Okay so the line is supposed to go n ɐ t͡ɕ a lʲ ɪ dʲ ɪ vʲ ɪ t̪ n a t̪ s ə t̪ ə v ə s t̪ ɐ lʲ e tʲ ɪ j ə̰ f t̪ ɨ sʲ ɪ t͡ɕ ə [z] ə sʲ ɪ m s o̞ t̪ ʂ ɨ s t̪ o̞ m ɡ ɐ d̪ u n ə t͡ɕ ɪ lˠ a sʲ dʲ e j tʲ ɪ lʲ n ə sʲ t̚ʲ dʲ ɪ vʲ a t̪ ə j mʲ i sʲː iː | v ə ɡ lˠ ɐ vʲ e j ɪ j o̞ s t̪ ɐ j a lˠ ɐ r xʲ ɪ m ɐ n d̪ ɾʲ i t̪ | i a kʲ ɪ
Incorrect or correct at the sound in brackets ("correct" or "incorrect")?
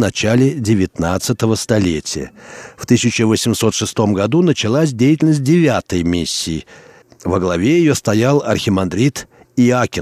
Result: incorrect